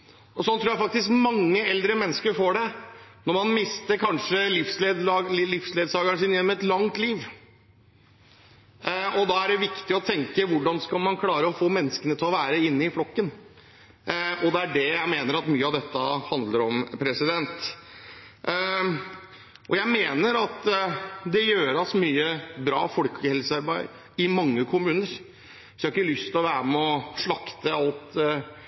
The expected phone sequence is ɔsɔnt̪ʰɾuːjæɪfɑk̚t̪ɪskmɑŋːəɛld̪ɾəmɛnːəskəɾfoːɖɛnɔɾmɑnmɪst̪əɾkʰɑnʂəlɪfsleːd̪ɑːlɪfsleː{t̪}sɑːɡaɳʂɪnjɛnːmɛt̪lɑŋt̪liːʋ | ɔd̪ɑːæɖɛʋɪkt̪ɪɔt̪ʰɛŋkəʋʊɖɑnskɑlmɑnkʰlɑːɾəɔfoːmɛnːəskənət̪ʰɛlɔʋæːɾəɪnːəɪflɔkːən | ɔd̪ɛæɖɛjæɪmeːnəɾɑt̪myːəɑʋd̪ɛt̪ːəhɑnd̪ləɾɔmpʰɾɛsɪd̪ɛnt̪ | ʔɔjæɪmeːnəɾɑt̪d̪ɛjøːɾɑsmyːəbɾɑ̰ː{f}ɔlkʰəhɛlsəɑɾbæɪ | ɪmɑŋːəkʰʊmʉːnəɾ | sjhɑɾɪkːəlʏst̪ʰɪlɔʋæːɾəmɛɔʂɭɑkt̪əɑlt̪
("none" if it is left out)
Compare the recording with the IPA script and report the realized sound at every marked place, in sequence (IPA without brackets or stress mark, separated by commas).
d̪, f